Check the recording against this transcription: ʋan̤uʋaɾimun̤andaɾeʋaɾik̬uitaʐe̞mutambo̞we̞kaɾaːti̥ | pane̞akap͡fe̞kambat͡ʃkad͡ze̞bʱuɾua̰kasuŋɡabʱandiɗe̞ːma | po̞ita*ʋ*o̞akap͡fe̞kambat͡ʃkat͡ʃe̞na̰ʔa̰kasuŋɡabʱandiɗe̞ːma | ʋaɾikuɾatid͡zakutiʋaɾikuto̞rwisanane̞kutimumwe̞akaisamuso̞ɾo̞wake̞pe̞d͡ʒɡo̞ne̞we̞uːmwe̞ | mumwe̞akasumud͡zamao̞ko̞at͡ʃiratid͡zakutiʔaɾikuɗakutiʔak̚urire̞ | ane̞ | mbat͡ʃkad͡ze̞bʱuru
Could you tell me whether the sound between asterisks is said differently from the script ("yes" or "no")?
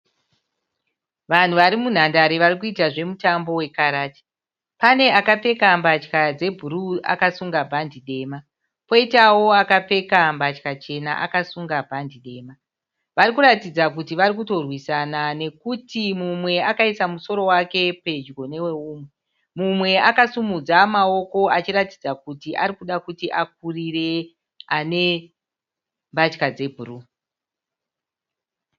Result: yes